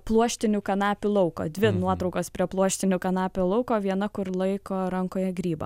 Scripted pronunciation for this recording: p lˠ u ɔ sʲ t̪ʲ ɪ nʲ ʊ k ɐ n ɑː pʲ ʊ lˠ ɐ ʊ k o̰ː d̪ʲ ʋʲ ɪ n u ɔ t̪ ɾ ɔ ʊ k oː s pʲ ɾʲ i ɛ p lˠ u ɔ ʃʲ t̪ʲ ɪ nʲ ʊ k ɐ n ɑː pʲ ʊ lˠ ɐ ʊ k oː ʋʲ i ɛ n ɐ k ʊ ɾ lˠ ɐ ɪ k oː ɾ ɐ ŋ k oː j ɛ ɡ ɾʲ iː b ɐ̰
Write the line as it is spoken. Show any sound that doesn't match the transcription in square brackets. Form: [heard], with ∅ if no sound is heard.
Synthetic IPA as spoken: p lˠ u ɔ [ʃʲ] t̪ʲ ɪ nʲ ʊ k ɐ n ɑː pʲ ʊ lˠ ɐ ʊ k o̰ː d̪ʲ ʋʲ ɪ n u ɔ t̪ ɾ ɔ ʊ k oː s pʲ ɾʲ i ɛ p lˠ u ɔ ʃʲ t̪ʲ ɪ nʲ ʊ k ɐ n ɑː pʲ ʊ lˠ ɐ ʊ k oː ʋʲ i ɛ n ɐ k ʊ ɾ lˠ ɐ ɪ k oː ɾ ɐ ŋ k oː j ɛ ɡ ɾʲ iː b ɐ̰

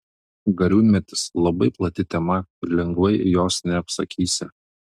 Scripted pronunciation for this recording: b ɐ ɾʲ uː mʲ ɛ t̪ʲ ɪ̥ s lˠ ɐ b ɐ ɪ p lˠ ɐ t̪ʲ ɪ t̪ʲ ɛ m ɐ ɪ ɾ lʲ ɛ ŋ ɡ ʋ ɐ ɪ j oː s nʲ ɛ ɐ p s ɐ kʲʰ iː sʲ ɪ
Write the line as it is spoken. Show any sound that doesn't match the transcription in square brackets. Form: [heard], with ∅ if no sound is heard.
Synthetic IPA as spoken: [ɡ] ɐ ɾʲ uː mʲ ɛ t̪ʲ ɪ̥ s lˠ ɐ b ɐ ɪ p lˠ ɐ t̪ʲ ɪ t̪ʲ ɛ m ɐ ɪ ɾ lʲ ɛ ŋ ɡ ʋ ɐ ɪ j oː s nʲ ɛ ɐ p s ɐ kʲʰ iː sʲ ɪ

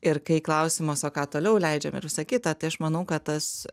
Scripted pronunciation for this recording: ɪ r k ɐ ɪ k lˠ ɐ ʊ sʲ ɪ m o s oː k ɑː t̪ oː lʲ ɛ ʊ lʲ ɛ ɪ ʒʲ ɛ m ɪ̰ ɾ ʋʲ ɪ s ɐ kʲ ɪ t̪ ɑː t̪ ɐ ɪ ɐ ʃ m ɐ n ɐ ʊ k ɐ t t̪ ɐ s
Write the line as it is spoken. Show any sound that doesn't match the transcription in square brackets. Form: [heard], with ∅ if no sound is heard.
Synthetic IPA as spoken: ɪ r k ɐ ɪ k lˠ ɐ ʊ sʲ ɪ m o s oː k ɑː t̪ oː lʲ ɛ ʊ lʲ ɛ ɪ [d͡ʒʲ] ɛ m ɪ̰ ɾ ʋʲ ɪ s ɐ kʲ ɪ t̪ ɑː t̪ ɐ ɪ ɐ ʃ m ɐ n ɐ ʊ k ɐ t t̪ ɐ s

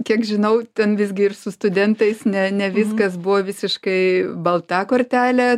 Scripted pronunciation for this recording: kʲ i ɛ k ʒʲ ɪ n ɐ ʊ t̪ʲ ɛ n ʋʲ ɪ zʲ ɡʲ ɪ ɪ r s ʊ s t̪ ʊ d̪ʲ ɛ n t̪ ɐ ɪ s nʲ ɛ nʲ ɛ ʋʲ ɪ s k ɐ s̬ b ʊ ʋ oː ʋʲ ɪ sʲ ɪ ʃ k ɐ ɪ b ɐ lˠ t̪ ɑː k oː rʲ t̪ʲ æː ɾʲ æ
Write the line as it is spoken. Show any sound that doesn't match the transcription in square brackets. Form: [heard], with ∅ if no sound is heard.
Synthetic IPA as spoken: kʲ i ɛ k ʒʲ ɪ n ɐ ʊ t̪ʲ ɛ n ʋʲ ɪ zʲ ɡʲ ɪ ɪ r s ʊ s t̪ ʊ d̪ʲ ɛ n t̪ ɐ ɪ s nʲ ɛ nʲ ɛ ʋʲ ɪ s k ɐ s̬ b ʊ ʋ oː ʋʲ ɪ sʲ ɪ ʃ k ɐ ɪ b ɐ lˠ t̪ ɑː k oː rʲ t̪ʲ æː [lʲ] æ

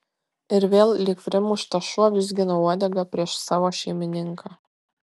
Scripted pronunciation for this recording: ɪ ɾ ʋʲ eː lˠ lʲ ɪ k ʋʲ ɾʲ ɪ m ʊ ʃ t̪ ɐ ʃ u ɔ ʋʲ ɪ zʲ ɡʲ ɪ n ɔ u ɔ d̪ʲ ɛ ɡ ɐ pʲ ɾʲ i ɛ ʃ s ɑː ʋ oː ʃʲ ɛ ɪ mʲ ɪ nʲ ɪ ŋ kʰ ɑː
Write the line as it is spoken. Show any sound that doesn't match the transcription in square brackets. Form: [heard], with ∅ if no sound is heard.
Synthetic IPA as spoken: ɪ ɾ ʋʲ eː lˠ lʲ ɪ k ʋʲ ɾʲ ɪ m ʊ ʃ t̪ ɐ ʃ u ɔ ʋʲ ɪ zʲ ɡʲ ɪ n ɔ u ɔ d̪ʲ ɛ ɡ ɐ pʲ ɾʲ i ɛ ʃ s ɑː ʋ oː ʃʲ ɛ ɪ mʲ ɪ nʲ ɪ ŋ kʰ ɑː

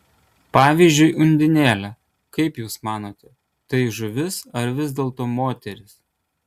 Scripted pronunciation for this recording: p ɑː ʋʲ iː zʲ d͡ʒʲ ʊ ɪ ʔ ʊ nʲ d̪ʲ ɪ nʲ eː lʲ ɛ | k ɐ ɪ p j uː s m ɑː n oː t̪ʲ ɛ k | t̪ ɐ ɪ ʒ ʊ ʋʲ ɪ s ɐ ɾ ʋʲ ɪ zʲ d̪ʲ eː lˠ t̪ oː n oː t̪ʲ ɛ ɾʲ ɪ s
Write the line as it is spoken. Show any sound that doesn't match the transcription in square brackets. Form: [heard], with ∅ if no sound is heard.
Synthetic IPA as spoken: p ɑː ʋʲ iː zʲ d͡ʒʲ ʊ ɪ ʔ ʊ nʲ d̪ʲ ɪ nʲ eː lʲ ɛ | k ɐ ɪ p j uː s m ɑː n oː t̪ʲ ɛ [∅] | t̪ ɐ ɪ ʒ ʊ ʋʲ ɪ s ɐ ɾ ʋʲ ɪ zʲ d̪ʲ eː lˠ t̪ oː [m] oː t̪ʲ ɛ ɾʲ ɪ s

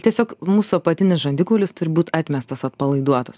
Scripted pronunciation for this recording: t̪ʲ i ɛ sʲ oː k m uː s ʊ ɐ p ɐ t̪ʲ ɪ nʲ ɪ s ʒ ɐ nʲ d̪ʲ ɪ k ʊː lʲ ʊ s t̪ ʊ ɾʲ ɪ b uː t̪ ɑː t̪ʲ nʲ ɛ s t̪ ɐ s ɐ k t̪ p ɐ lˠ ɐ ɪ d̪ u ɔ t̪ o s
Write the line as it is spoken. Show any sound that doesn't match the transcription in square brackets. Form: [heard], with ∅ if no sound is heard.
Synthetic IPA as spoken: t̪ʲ i ɛ sʲ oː k m uː s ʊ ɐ p ɐ t̪ʲ ɪ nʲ ɪ s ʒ ɐ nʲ d̪ʲ ɪ k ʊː lʲ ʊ s t̪ ʊ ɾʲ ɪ b uː t̪ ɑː t̪ʲ [mʲ] ɛ s t̪ ɐ s ɐ [∅] t̪ p ɐ lˠ ɐ ɪ d̪ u ɔ t̪ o s

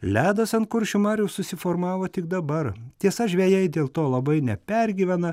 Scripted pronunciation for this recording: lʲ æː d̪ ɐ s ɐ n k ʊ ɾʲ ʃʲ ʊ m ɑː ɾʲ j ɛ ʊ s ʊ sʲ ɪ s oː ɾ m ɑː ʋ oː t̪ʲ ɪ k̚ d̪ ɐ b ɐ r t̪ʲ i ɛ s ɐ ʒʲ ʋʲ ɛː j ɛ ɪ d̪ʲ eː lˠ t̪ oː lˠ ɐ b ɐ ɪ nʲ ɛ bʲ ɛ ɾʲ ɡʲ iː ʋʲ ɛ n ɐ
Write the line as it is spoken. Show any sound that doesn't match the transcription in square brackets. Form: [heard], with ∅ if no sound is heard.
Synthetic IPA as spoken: lʲ æː d̪ ɐ s ɐ n k ʊ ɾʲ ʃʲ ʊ m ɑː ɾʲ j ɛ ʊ s ʊ sʲ ɪ [f] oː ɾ m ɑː ʋ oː t̪ʲ ɪ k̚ d̪ ɐ b ɐ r t̪ʲ i ɛ s ɐ ʒʲ ʋʲ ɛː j ɛ ɪ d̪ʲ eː lˠ t̪ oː lˠ ɐ b ɐ ɪ nʲ ɛ [pʲ] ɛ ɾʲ ɡʲ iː ʋʲ ɛ n ɐ

